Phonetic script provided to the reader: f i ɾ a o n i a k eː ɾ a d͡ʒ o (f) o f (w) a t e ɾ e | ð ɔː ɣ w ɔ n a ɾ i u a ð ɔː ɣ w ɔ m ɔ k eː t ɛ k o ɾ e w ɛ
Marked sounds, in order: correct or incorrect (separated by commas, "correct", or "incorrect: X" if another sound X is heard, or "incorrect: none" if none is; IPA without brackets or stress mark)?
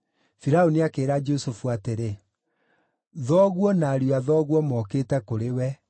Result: incorrect: s, incorrect: u